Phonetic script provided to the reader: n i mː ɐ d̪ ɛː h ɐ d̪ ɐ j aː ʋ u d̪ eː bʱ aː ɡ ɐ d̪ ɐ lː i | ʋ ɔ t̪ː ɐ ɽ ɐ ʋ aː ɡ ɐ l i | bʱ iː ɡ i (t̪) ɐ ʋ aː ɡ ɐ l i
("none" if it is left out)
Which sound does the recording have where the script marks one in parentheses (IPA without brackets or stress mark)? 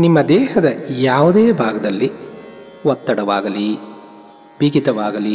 t̪